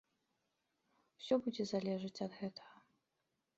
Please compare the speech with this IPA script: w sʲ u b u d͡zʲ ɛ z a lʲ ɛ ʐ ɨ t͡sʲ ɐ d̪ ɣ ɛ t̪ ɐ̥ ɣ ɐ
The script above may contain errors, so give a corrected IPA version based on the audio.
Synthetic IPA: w sʲ ɔ b u d͡zʲ ɛ z a lʲ ɛ ʐ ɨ t͡sʲ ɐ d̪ ɣ ɛ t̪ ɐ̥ ɣ ɐ